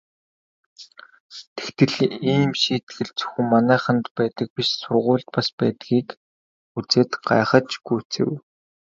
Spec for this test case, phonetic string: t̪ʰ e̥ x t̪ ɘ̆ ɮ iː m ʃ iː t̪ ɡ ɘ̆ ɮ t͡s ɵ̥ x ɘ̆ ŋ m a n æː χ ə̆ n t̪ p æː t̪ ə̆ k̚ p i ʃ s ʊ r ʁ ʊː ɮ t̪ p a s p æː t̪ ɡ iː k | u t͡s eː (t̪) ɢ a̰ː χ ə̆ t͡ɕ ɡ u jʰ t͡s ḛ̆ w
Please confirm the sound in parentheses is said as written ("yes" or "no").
yes